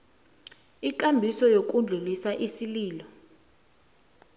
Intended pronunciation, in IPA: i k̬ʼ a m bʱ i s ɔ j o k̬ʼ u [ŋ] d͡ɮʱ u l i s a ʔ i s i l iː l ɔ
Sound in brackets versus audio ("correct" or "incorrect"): incorrect